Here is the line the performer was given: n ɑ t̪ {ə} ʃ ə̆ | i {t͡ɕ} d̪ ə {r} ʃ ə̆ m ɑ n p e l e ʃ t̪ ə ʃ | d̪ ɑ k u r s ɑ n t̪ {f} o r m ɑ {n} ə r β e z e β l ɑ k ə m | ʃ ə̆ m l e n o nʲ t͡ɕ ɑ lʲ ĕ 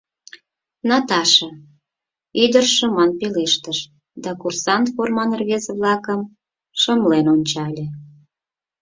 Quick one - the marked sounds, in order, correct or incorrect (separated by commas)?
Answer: incorrect, incorrect, correct, correct, correct